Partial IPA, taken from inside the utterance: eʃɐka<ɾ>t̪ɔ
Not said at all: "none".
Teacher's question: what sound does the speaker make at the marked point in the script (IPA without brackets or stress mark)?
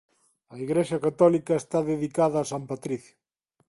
none